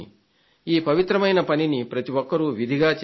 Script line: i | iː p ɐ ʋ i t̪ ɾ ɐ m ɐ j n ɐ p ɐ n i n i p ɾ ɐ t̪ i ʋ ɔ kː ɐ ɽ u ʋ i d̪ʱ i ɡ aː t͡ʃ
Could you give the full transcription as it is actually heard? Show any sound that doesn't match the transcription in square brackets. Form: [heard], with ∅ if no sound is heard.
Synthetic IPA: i | iː p ɐ ʋ i t̪ ɾ ɐ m ɐ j n ɐ p ɐ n i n i p ɾ ɐ t̪ i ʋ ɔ kː ɐ [ɾ] u ʋ i d̪ʱ i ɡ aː t͡ʃ

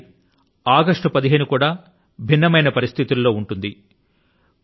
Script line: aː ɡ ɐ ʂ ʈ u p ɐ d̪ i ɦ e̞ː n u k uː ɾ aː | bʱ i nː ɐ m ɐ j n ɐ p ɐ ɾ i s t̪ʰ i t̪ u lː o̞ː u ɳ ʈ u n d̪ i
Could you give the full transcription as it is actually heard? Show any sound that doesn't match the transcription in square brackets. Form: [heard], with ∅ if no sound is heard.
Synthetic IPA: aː ɡ ɐ ʂ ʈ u p ɐ d̪ i ɦ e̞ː n u k uː [ɽ] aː | bʱ i nː ɐ m ɐ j n ɐ p ɐ ɾ i s t̪ʰ i t̪ u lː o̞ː u ɳ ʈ u n d̪ i

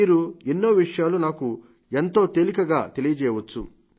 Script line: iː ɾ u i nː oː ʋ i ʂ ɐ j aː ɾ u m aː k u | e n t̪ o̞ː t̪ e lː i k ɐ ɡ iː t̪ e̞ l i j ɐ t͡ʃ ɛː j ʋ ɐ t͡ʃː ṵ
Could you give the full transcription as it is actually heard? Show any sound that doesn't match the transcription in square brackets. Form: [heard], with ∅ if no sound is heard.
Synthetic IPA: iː ɾ u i nː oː ʋ i ʂ ɐ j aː [l] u [n] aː k u | e n t̪ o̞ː t̪ e [l] i k ɐ ɡ [aː] t̪ e̞ l i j ɐ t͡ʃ ɛː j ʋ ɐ t͡ʃː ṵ

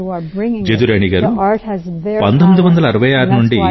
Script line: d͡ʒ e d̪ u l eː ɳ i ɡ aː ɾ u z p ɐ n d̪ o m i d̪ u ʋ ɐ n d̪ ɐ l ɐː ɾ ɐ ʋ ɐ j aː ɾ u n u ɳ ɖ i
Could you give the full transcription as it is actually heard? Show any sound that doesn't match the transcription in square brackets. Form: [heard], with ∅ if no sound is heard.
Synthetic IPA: d͡ʒ e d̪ u [ɾ] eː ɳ i ɡ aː ɾ u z p ɐ n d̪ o m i d̪ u ʋ ɐ n d̪ ɐ l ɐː ɾ ɐ ʋ ɐ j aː ɾ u n u ɳ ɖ i

